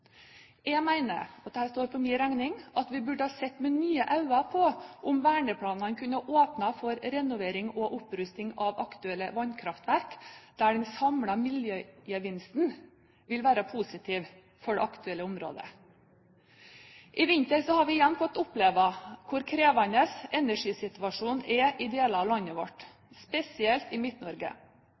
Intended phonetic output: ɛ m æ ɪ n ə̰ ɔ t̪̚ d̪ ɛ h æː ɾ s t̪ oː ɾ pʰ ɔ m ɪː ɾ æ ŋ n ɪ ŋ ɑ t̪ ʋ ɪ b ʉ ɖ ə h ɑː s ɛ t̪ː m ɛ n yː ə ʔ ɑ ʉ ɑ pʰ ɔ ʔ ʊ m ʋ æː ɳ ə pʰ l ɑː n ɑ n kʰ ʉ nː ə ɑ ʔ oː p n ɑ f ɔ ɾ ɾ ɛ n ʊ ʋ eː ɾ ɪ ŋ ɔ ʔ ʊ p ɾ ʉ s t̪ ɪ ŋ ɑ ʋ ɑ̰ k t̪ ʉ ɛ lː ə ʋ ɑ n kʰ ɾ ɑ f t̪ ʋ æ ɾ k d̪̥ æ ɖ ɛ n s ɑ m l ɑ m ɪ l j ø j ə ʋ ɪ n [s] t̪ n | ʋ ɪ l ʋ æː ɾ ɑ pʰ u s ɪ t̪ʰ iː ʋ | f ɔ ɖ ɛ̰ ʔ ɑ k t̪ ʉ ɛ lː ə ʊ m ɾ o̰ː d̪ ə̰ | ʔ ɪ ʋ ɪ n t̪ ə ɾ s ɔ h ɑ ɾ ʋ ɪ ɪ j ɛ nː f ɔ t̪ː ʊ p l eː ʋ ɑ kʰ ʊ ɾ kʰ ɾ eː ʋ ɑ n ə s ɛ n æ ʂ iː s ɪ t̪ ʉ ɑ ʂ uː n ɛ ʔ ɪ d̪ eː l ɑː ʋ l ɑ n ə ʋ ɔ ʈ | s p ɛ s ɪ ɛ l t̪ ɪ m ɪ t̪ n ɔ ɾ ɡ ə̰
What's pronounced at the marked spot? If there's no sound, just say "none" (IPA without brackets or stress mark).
s